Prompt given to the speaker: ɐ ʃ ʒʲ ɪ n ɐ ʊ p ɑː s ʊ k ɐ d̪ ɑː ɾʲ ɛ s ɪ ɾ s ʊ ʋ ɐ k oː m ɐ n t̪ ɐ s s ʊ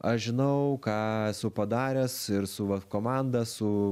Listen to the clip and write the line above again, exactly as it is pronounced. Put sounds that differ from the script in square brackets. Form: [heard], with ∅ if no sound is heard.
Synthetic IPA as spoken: ɐ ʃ ʒʲ ɪ n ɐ ʊ [k] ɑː s ʊ [p] ɐ d̪ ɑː ɾʲ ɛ s ɪ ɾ s ʊ ʋ ɐ k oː m [ɑ] n [d̪] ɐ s s ʊ